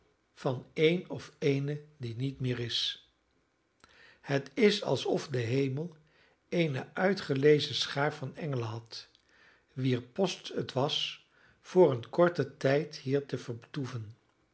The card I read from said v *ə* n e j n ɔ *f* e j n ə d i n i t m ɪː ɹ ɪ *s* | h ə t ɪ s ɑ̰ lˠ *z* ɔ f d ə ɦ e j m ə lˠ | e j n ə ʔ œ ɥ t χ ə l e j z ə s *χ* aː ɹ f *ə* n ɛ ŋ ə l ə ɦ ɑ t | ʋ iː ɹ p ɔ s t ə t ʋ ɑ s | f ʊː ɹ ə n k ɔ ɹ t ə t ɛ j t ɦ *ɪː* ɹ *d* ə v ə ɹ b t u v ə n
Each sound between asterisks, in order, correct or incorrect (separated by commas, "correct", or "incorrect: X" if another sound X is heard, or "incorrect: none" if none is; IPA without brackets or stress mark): incorrect: ɑ, correct, correct, incorrect: s, correct, incorrect: ɑ, incorrect: iː, incorrect: t